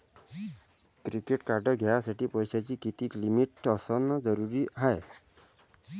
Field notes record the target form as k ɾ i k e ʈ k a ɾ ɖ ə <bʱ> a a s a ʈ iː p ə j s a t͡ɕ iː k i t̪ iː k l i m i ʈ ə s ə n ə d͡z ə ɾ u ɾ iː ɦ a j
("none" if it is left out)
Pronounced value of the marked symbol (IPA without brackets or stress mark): ɡʱ